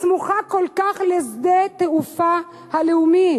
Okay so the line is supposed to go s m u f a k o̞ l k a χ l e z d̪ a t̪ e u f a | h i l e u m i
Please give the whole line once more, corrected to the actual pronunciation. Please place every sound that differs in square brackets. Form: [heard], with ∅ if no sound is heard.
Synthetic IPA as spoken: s m u [χ] a k o̞ l k a χ l e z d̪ [e] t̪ e u f a | h [a] l e u m i